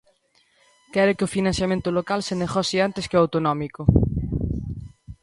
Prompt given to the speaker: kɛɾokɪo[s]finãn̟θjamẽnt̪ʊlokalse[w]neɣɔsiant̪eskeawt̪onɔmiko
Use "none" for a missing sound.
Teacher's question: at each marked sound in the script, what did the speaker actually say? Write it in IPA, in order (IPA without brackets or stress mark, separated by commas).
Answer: none, none